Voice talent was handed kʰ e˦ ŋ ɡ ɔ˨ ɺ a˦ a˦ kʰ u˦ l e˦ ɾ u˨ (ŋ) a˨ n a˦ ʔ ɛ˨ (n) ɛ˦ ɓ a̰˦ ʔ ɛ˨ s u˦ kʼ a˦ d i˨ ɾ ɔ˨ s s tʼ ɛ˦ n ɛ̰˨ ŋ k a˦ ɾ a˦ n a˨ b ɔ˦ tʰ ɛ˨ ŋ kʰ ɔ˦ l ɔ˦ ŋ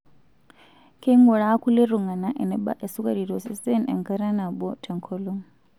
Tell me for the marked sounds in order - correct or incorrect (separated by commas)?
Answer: correct, correct